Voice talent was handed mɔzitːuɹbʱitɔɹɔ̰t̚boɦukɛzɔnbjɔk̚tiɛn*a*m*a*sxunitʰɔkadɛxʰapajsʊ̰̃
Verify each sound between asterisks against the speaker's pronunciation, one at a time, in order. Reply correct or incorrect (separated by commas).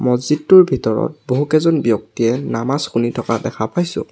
correct, correct